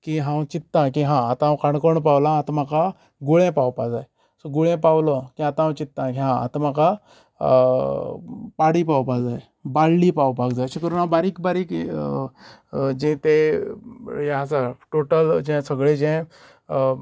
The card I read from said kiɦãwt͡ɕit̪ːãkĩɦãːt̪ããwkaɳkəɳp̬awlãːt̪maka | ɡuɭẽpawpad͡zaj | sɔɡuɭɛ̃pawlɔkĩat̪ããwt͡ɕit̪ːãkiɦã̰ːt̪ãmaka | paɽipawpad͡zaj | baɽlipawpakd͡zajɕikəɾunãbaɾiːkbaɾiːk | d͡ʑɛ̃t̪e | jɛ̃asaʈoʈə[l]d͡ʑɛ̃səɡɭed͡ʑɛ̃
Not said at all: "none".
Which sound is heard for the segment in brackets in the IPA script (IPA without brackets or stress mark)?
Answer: l